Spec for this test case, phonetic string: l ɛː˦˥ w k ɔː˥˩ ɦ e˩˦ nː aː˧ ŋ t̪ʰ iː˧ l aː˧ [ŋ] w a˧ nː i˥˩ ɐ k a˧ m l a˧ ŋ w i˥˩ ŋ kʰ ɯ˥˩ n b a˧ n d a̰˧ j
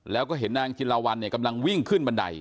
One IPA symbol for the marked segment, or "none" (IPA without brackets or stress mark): none